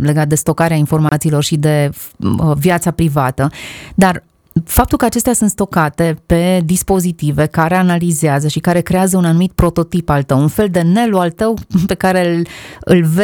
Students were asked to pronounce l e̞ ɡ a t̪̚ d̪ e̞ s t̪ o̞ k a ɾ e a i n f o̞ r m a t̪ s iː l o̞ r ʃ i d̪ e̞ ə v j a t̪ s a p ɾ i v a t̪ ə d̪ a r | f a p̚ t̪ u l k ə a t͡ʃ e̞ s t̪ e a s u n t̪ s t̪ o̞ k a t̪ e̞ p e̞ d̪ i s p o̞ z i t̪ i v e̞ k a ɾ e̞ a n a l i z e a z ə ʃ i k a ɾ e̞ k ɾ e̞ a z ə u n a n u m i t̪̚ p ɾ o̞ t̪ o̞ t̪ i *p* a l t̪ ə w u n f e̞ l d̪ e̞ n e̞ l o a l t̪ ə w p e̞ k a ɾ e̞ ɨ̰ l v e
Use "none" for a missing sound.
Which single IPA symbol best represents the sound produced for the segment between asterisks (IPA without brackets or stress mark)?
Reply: p